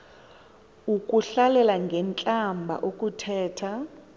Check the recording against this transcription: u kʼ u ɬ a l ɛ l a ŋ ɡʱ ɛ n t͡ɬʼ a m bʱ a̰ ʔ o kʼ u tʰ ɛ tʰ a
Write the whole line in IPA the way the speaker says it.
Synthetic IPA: u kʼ u ɬ a l ɛ l a ŋ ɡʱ ɛ n t͡ɬʼ a m bʱ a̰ ʔ o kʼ u tʰ ɛː tʰ a